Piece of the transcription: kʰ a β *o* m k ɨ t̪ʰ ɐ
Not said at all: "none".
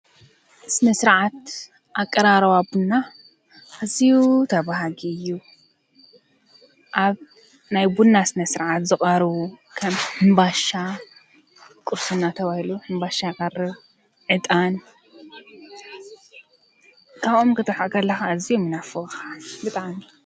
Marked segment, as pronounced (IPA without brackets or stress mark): o